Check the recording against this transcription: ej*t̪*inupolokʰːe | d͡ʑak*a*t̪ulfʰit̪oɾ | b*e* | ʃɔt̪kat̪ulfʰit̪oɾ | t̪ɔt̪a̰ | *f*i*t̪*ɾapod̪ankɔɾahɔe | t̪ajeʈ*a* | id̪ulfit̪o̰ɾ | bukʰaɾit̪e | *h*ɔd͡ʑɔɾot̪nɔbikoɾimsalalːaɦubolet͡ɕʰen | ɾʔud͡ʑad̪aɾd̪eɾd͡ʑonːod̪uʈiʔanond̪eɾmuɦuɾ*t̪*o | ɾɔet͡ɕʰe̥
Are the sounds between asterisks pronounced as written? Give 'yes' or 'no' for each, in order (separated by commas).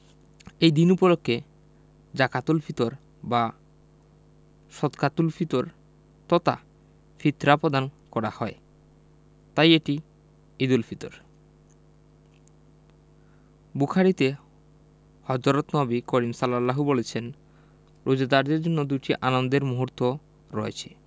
no, yes, no, yes, yes, no, yes, yes